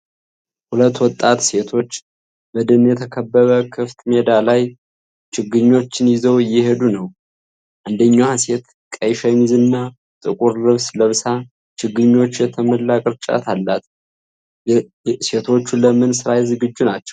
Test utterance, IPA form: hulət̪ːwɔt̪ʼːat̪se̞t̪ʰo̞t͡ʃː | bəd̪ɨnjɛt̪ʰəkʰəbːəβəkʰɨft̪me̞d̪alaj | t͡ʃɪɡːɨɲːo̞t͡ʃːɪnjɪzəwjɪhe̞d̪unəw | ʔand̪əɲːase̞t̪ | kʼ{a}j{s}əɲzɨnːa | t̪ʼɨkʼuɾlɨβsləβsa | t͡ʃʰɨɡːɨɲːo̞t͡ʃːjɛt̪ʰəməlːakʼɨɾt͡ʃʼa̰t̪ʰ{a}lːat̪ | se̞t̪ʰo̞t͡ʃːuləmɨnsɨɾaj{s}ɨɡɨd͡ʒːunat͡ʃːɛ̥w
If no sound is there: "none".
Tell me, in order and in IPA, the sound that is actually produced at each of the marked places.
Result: ə, ʃ, a, z

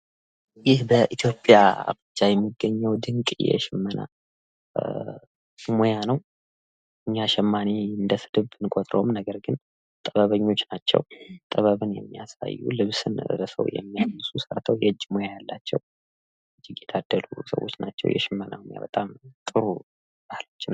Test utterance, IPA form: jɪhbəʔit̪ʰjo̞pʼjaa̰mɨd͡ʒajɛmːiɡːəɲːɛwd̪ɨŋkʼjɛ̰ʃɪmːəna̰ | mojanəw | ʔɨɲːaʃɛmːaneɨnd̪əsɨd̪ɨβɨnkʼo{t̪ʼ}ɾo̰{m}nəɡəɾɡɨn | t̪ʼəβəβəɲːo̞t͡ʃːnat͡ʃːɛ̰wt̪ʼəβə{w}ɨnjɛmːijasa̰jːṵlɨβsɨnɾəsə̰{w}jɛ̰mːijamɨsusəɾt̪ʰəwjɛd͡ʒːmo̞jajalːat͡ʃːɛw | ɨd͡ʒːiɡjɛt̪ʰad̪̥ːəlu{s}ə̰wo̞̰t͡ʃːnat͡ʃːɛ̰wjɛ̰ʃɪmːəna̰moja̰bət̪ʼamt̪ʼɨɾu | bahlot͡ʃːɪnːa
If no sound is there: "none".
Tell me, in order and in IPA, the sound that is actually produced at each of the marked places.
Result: t̪ʼ, m, β, w, s

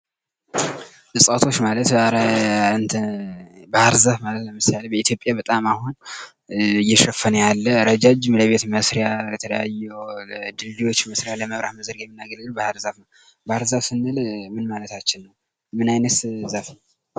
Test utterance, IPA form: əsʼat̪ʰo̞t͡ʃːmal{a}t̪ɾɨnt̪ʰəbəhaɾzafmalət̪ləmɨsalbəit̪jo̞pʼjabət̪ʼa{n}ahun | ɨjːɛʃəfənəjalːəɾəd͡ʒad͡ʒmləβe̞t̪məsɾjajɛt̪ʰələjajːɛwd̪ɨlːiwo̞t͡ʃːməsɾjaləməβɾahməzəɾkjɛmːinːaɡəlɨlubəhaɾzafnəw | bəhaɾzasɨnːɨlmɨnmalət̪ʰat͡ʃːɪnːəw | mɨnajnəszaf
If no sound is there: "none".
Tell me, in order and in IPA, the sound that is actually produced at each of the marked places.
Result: ə, m

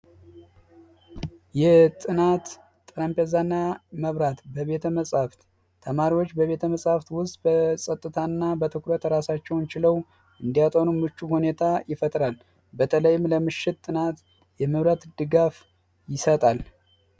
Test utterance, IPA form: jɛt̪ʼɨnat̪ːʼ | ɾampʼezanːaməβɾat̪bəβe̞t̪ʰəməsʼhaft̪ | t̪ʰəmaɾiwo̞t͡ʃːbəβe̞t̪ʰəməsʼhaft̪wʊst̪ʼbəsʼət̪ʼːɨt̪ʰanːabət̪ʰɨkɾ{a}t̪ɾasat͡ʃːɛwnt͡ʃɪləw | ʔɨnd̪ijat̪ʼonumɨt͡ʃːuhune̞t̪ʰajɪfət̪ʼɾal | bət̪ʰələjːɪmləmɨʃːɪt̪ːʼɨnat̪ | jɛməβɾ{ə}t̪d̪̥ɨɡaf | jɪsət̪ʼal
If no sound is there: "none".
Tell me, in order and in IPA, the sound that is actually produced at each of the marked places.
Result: ə, a

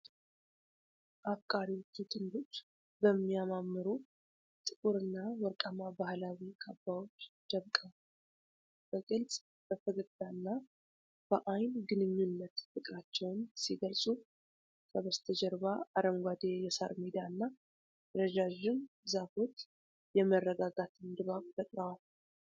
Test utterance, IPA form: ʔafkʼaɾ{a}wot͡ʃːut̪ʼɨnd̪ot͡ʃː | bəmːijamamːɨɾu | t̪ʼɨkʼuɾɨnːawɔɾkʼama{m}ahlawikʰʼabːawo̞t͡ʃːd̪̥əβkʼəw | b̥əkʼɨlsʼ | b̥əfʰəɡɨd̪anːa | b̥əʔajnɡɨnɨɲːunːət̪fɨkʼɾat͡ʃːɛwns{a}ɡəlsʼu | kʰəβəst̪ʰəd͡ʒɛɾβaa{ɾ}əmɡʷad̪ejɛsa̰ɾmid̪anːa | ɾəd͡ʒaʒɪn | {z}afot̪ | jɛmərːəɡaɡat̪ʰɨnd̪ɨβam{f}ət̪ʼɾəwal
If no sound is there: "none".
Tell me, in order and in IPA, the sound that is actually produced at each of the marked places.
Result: i, b, i, ɾ, z, f

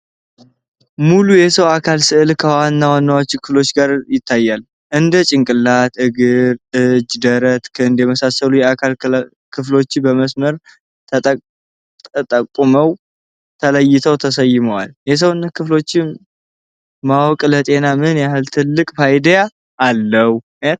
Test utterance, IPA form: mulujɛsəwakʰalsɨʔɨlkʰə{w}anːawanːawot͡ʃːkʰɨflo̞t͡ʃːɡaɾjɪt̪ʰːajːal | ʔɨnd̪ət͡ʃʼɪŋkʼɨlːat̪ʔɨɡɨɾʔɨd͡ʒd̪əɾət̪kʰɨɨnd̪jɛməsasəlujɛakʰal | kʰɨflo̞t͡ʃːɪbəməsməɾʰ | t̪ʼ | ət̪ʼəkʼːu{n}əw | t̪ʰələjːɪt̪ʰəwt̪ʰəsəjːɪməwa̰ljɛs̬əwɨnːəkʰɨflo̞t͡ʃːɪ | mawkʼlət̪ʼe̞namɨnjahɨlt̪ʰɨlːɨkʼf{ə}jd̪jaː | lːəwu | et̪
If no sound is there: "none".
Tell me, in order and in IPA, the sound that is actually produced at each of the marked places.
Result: w, m, a

